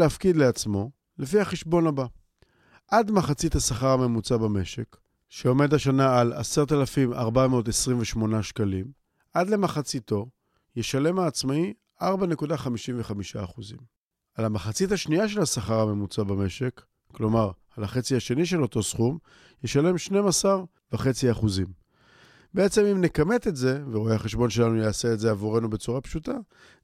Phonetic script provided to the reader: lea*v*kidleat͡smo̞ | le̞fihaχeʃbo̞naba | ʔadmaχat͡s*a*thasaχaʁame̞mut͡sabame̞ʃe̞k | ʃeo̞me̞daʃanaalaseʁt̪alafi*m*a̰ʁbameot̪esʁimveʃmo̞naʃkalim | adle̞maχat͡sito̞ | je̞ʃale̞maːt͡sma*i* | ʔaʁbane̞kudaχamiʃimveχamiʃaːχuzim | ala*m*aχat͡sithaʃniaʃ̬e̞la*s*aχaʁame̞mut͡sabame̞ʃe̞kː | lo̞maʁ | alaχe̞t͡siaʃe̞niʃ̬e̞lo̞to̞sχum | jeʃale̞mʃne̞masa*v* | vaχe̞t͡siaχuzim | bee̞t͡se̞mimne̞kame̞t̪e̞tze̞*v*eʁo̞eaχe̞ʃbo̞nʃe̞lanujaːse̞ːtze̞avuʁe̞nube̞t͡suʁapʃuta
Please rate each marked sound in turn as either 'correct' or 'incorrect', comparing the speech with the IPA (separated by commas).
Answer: incorrect, incorrect, correct, correct, correct, correct, incorrect, correct